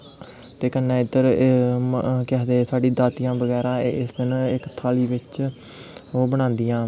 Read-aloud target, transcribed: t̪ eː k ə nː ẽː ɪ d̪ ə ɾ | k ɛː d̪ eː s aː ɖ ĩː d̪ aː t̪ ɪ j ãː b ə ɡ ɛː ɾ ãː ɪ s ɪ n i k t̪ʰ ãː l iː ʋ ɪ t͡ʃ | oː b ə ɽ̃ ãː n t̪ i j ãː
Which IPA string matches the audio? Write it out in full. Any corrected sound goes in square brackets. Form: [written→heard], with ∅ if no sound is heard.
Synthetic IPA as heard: t̪ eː k ə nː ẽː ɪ d̪ ə ɾ | k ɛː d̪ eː s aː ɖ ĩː d̪ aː t̪ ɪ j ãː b ə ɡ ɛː ɾ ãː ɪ s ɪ n [i→ɪ] k t̪ʰ [ãː→aː] l iː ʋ ɪ t͡ʃ | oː b ə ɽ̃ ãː n [t̪→d̪] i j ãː